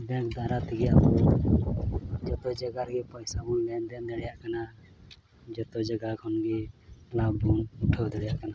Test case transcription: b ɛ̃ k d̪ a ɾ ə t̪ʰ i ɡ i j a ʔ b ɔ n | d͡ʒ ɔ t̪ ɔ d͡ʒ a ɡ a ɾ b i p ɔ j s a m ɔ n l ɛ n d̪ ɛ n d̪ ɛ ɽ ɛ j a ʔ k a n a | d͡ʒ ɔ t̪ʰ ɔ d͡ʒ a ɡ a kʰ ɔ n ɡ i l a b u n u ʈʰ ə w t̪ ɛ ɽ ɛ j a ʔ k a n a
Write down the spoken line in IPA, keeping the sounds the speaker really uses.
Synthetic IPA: b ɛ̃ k d̪ a ɾ a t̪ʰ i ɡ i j a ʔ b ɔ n | d͡ʒ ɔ t̪ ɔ d͡ʒ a ɡ a ɾ ɡ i p ɔ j s a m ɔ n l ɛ n d̪ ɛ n d̪ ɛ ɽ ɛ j a ʔ k a n a | d͡ʒ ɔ t̪ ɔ d͡ʒ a ɡ a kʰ ɔ n ɡ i l a b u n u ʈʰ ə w d̪ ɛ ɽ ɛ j a ʔ k a n a